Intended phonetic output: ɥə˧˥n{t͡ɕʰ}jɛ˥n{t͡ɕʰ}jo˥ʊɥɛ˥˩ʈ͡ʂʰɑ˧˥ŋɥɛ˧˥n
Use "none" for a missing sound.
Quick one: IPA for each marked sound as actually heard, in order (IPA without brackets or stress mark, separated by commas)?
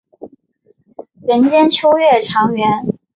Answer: t͡ɕ, t͡ɕʰ